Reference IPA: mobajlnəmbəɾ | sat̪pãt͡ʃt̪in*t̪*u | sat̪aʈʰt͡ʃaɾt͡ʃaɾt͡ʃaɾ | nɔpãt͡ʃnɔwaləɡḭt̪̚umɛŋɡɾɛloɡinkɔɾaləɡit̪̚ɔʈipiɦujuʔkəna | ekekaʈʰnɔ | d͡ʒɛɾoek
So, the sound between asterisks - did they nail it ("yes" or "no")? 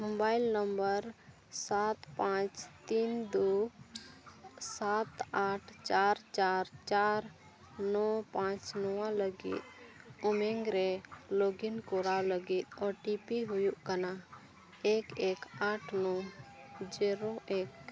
no